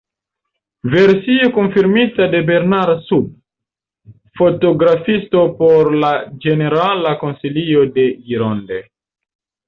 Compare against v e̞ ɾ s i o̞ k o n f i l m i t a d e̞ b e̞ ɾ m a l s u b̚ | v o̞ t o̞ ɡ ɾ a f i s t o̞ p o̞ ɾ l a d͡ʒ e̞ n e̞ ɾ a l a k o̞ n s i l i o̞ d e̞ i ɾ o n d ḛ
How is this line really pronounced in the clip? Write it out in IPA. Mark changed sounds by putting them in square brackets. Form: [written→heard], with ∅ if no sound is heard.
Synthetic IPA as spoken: v e̞ ɾ s i o̞ k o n f i [l→ɾ] m i t a d e̞ b e̞ ɾ [m→n] a [l→ɾ] s u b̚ | [v→f] o̞ t o̞ ɡ ɾ a f i s t o̞ p o̞ ɾ l a d͡ʒ e̞ n e̞ ɾ a l a k o̞ n s i l i o̞ d e̞ i ɾ o n d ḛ